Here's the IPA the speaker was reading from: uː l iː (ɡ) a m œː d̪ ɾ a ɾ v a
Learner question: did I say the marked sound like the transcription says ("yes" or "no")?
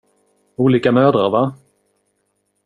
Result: no